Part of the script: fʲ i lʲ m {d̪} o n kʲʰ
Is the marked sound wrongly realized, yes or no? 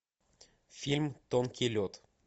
yes